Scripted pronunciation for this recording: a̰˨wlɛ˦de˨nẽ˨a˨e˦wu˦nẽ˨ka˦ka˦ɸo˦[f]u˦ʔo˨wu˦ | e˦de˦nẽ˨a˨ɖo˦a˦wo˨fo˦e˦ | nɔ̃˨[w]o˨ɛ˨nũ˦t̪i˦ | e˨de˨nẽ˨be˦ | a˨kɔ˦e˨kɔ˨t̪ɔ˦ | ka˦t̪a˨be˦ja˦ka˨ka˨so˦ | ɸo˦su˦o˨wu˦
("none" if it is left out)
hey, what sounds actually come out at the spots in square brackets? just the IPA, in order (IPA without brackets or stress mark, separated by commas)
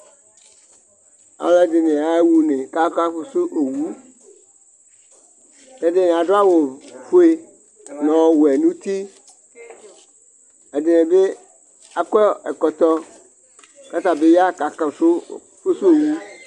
s, w